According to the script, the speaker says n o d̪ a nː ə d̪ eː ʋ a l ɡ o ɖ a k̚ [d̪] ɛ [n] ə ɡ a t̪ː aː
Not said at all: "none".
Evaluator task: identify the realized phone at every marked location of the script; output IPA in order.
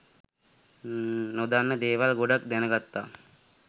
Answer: d̪, n

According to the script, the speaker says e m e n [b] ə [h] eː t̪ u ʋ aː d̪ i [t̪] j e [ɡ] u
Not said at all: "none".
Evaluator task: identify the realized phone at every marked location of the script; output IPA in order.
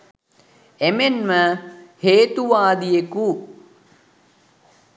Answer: m, h, none, k

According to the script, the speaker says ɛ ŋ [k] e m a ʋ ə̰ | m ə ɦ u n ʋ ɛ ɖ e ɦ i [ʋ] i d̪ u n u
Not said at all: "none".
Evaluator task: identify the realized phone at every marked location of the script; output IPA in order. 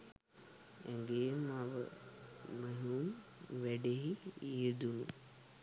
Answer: ɡ, none

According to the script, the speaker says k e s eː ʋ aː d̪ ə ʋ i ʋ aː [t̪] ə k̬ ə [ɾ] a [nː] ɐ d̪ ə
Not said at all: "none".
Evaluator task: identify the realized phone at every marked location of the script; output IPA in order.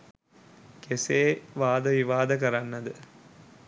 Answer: d̪, ɾ, nː

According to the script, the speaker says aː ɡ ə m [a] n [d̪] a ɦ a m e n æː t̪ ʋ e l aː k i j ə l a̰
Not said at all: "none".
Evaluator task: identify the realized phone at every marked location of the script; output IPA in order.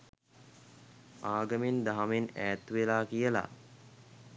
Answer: e, d̪

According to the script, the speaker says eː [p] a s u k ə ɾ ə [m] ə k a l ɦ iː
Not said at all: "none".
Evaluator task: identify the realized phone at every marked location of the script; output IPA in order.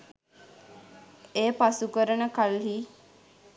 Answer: p, n

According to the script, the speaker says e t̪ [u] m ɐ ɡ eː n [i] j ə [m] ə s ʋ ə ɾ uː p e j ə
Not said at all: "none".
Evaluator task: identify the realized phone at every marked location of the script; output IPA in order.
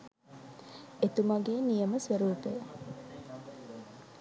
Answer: u, i, m

